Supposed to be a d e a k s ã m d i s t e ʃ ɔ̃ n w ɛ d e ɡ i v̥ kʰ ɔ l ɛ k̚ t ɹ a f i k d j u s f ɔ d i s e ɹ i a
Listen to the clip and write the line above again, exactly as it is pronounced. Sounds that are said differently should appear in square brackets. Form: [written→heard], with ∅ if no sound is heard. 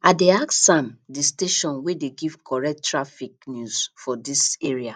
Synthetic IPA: a d e a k s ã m d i s t e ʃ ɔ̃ n w [ɛ→e] d e ɡ i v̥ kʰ ɔ [l→ɹ] ɛ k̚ t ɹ a f i k [d→n] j u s f ɔ d i s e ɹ i a